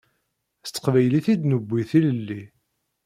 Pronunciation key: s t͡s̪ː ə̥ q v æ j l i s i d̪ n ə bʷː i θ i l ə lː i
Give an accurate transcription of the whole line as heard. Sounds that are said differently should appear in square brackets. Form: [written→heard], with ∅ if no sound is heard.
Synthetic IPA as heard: s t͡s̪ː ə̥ q v æ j l i [s→θ] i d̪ n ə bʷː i θ i l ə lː i